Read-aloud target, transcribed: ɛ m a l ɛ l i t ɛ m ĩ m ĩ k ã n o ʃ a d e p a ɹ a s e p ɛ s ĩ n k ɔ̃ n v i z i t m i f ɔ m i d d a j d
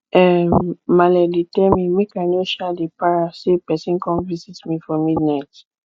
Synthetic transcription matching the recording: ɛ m a l ɛ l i t ɛ m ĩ m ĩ k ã n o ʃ a d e p a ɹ a s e p ɛ s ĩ n k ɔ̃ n v i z i t m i f ɔ m i d n a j t